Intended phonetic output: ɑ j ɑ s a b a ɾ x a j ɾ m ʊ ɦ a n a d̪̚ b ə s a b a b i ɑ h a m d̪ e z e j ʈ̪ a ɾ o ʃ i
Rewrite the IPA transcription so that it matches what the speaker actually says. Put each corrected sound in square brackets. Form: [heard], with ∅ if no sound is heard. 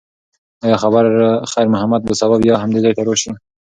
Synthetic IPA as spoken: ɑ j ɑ [x] a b a ɾ x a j ɾ m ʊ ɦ a [m] a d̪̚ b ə s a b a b [j] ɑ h a m d̪ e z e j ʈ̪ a ɾ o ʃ i